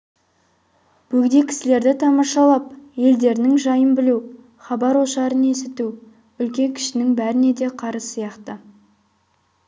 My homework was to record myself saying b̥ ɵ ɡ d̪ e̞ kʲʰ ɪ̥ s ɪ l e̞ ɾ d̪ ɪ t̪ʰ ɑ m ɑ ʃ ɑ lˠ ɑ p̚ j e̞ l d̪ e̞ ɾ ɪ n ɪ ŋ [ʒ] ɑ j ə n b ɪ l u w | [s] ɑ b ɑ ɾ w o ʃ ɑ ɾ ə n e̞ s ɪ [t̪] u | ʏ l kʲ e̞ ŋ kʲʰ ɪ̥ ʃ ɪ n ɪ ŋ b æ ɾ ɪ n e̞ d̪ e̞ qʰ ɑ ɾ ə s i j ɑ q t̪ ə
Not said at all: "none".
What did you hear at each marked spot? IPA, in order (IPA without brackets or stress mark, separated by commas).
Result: ʒ, χ, t̪